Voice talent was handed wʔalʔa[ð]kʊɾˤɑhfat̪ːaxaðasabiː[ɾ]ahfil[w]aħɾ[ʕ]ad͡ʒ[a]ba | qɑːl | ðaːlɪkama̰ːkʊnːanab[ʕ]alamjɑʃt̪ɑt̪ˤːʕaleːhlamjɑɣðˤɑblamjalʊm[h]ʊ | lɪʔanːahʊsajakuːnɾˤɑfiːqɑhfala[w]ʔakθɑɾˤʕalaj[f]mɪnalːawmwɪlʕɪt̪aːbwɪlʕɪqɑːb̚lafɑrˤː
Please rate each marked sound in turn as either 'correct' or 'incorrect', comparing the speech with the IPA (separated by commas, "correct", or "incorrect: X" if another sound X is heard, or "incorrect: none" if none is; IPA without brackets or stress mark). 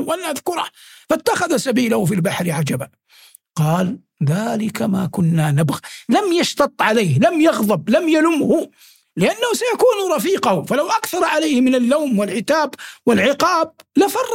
correct, incorrect: l, incorrect: b, correct, correct, incorrect: ɣ, correct, correct, incorrect: h